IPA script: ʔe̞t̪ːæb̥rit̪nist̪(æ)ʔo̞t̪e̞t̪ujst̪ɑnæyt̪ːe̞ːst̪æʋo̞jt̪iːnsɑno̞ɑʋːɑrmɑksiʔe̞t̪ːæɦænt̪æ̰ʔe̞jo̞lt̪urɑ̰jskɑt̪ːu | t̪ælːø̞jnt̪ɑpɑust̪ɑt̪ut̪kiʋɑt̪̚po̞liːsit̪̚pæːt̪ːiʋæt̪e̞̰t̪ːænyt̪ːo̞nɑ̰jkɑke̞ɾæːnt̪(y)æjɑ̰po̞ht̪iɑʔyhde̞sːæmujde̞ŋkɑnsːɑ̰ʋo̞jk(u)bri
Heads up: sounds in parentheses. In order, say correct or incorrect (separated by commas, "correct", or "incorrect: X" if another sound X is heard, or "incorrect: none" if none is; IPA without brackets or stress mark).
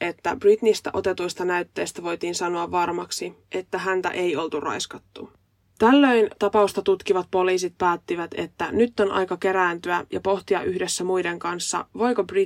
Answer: correct, correct, incorrect: o